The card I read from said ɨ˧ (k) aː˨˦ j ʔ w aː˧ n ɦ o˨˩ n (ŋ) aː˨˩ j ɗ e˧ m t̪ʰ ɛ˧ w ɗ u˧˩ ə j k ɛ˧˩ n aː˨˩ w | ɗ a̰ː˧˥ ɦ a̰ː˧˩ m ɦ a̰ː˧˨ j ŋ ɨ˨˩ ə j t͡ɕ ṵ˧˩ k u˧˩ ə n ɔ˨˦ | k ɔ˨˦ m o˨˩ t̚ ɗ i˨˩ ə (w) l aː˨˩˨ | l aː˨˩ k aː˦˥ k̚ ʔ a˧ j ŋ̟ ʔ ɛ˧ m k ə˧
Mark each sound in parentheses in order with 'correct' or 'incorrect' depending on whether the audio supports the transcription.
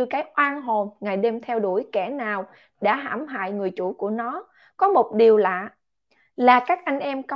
correct, correct, correct

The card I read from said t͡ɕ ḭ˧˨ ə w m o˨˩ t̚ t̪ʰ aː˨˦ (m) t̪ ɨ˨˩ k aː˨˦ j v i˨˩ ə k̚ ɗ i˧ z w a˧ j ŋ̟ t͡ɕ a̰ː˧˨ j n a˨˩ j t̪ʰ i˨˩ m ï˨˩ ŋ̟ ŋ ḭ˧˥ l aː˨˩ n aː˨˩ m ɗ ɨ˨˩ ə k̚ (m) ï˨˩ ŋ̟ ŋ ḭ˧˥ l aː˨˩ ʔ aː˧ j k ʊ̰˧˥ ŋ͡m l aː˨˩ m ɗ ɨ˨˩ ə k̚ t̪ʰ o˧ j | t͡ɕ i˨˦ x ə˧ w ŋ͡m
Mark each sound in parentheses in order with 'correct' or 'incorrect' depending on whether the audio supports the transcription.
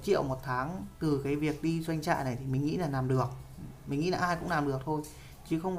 incorrect: ŋ, correct

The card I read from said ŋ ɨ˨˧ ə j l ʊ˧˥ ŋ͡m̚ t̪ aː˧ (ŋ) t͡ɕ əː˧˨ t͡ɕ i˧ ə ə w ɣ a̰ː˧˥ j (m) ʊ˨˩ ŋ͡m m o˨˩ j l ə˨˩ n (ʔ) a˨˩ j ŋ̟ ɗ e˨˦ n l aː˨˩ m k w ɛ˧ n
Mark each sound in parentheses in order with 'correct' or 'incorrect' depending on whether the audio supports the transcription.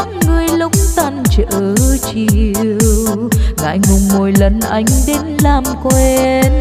incorrect: n, incorrect: ŋ, correct

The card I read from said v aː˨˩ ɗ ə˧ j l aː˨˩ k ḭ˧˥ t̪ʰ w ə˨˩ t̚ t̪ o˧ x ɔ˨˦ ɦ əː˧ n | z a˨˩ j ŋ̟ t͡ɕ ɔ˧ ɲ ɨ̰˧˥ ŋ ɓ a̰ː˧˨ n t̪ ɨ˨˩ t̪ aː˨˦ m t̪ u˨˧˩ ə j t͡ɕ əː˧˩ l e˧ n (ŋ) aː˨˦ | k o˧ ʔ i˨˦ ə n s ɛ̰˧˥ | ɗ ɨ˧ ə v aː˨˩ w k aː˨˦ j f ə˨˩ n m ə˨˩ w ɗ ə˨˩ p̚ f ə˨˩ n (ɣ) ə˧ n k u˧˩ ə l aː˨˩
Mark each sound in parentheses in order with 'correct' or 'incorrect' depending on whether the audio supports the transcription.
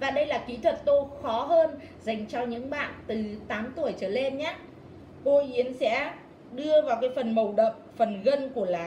incorrect: ɲ, correct

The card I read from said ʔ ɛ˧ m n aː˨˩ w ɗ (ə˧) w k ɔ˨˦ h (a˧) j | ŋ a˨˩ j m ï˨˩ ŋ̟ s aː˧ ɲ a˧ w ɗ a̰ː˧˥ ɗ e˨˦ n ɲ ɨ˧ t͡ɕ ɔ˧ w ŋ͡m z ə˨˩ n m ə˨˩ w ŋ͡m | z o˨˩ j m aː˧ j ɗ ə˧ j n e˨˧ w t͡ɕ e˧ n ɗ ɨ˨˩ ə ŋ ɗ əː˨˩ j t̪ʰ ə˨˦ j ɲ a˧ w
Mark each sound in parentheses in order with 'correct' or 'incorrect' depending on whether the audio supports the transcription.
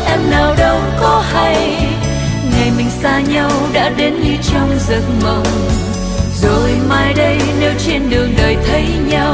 correct, correct

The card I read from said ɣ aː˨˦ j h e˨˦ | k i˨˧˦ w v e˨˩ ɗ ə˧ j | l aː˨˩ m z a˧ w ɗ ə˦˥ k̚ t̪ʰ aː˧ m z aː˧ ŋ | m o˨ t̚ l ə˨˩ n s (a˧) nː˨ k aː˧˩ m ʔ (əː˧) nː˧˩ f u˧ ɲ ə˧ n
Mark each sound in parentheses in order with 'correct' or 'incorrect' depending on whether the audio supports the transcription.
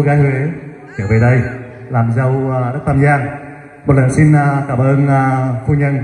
incorrect: i˧, correct

